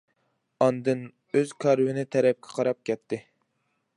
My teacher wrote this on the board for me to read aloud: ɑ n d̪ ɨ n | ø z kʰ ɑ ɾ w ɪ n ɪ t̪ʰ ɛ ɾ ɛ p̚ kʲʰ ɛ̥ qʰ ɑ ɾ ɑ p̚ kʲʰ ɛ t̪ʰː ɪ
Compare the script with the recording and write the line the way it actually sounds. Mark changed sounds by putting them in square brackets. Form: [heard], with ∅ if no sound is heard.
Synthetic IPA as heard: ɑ n d̪ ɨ n | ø z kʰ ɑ ɾ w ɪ n ɪ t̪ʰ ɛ ɾ ɛ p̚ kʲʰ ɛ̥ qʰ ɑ ɾ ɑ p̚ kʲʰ ɛ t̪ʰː ɪ